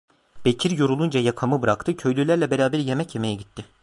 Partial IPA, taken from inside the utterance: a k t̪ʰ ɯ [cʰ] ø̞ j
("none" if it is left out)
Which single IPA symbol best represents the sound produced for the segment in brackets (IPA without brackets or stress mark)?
cʰ